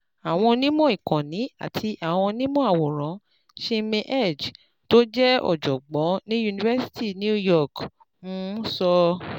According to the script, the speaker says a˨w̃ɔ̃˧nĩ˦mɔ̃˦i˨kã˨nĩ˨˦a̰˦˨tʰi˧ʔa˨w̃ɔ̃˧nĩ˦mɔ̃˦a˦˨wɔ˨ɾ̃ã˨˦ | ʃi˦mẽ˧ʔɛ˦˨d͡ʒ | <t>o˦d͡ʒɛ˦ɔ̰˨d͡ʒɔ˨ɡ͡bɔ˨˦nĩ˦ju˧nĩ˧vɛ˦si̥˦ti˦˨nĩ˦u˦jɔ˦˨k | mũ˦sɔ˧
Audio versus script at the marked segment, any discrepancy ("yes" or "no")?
no